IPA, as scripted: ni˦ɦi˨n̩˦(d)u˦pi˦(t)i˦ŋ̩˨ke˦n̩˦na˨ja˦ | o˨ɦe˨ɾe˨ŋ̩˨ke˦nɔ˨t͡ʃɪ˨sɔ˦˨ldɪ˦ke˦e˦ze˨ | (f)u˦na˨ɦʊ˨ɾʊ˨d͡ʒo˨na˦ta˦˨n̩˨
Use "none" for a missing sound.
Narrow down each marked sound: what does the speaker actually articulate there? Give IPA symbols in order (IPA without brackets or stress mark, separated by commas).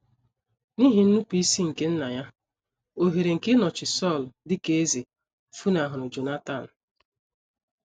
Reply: n, s, f